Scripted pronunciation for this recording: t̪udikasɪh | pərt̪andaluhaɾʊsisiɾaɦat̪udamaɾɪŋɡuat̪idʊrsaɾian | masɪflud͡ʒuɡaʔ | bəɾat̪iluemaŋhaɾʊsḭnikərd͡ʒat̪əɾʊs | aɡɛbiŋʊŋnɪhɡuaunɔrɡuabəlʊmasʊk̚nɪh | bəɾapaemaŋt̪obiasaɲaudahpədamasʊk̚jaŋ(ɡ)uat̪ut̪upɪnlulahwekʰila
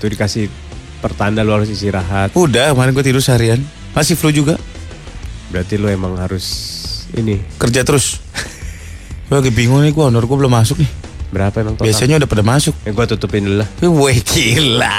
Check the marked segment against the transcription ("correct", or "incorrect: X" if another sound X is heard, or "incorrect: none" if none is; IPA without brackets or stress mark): correct